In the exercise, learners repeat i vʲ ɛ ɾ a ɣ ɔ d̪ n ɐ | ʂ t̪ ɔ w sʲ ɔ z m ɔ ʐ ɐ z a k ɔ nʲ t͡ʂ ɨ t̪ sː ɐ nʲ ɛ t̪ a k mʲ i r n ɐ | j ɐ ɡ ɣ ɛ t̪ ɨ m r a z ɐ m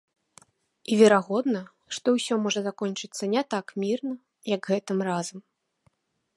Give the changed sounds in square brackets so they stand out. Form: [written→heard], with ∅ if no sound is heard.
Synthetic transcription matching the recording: i vʲ ɛ ɾ a ɣ ɔ d̪ n ɐ | ʂ t̪ ɔ w sʲ ɔ [z→∅] m ɔ ʐ ɐ z a k ɔ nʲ t͡ʂ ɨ t̪ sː ɐ nʲ ɛ t̪ a k mʲ i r n ɐ | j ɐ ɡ ɣ ɛ t̪ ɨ m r a z ɐ m